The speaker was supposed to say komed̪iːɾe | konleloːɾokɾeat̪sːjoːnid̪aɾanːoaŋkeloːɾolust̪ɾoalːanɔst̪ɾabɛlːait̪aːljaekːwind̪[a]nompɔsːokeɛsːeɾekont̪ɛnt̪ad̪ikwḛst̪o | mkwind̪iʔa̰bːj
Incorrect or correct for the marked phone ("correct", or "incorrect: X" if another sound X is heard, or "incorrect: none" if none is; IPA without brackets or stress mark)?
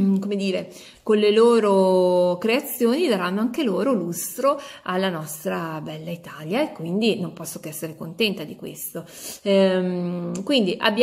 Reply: incorrect: i